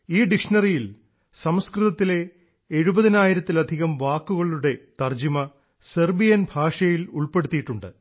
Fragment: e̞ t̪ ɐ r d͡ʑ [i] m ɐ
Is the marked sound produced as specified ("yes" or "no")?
yes